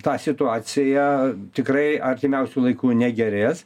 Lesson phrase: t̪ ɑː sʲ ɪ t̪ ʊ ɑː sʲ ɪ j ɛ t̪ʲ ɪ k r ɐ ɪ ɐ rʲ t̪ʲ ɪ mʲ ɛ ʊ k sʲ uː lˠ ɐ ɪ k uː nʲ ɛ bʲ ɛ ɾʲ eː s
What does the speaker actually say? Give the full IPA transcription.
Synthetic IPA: t̪ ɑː sʲ ɪ t̪ ʊ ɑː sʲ ɪ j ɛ t̪ʲ ɪ k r ɐ ɪ ɐ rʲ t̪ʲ ɪ mʲ ɛ ʊ sʲ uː lˠ ɐ ɪ k uː nʲ ɛ ɡʲ ɛ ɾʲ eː s